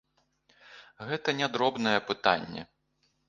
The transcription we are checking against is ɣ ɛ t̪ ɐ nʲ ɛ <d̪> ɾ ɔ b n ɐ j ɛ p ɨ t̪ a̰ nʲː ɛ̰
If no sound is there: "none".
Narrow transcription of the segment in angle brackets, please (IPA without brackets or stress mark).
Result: d̪